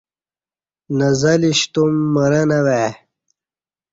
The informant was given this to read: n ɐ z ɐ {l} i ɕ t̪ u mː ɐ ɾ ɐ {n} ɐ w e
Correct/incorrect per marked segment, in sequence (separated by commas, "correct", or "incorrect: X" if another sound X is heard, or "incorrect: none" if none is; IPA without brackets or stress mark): correct, correct